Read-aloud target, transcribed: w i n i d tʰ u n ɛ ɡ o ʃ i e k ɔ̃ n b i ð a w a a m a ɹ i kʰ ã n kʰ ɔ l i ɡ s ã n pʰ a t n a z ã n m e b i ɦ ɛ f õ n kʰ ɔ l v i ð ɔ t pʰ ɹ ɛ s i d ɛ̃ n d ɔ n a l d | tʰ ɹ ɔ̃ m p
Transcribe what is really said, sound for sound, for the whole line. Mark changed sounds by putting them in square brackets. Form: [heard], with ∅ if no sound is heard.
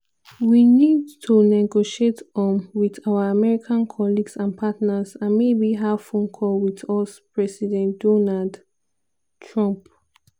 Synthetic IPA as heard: w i n i d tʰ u n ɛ ɡ o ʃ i e [t] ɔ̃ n [w] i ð a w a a m [ɛ] ɹ i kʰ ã n kʰ ɔ l i ɡ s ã n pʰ a t n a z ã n m e b i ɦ [a] f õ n kʰ ɔ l [w] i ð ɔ [s] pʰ ɹ ɛ s i d ɛ̃ n d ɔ n a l d | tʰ ɹ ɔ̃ m p